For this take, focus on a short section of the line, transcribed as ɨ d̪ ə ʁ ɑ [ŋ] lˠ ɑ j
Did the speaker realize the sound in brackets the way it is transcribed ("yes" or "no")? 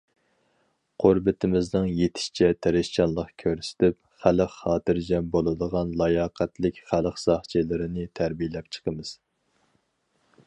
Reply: no